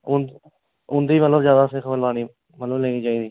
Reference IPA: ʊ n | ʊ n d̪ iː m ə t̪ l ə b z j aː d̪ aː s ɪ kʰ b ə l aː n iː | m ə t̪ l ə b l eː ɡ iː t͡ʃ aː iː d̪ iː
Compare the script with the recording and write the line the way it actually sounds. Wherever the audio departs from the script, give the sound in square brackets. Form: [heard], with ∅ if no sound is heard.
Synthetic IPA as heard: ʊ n | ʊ n d̪ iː m ə t̪ l ə b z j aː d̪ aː s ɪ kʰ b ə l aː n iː | m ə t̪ l ə b l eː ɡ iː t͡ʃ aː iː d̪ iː